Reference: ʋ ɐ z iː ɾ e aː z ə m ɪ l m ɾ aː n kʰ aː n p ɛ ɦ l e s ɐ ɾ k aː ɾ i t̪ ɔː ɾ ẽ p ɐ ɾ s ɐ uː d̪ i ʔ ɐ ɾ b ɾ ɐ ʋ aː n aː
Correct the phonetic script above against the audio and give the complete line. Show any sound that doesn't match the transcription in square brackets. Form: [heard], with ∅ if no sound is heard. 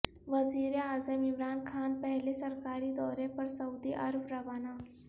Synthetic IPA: ʋ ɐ z iː ɾ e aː z ə m ɪ [∅] m ɾ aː n kʰ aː n p ɛ ɦ l e s ɐ ɾ k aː ɾ i [d̪] ɔː ɾ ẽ p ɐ ɾ s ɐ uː d̪ i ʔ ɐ ɾ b ɾ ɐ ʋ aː n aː